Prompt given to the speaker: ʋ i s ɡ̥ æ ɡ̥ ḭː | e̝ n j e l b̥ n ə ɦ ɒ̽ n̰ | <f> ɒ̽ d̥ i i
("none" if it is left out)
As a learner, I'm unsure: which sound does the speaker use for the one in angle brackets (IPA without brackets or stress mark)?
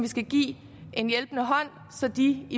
s